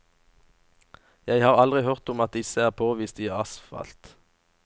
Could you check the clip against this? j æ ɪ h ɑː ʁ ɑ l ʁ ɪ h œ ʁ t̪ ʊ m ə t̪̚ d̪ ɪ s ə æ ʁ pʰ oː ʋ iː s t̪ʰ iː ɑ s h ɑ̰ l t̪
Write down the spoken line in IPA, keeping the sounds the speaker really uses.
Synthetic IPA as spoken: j æ ɪ h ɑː ʁ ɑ l ʁ ɪ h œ ʁ t̪ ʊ m ɑ t̪̚ d̪ ɪ s ə æː ʁ pʰ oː ʋ iː s t̪ iː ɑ s f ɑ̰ l t̪